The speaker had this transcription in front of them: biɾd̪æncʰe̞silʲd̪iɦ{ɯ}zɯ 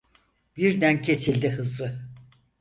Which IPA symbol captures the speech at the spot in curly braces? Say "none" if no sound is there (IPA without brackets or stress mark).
ɯ